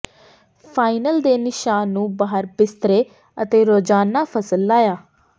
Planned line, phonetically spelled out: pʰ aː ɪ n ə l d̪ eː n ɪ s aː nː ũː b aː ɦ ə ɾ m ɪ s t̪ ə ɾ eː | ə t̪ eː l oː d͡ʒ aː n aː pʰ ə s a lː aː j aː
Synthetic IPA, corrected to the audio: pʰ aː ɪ n ə l d̪ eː n ɪ ʃ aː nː ũː b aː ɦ ə ɾ b ɪ s t̪ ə ɾ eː | ə t̪ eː ɾ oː d͡ʒ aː n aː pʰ ə s ə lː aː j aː